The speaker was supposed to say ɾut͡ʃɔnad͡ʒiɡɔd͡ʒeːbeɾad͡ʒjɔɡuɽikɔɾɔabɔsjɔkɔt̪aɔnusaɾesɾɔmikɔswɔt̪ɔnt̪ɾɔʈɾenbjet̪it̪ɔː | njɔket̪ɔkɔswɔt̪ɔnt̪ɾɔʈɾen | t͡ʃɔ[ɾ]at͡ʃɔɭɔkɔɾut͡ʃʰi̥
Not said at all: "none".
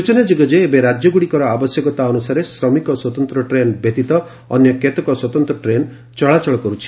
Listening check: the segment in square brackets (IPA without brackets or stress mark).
ɭ